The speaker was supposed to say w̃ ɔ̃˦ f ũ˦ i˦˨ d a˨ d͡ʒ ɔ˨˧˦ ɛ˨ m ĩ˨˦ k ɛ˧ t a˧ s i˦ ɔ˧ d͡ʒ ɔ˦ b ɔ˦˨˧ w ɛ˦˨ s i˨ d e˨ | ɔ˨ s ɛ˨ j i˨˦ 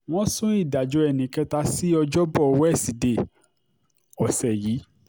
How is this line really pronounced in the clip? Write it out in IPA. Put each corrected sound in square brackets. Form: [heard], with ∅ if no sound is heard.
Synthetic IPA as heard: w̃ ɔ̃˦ [s] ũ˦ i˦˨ d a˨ d͡ʒ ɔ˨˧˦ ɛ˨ [n] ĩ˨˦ k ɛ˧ t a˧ s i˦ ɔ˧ d͡ʒ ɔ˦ b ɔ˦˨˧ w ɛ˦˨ s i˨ d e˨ | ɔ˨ s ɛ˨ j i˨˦